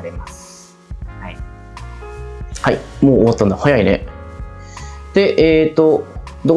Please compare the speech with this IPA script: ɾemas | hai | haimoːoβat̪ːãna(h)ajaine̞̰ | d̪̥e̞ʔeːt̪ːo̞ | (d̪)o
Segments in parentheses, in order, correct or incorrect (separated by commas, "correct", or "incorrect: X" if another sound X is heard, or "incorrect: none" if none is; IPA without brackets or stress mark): correct, correct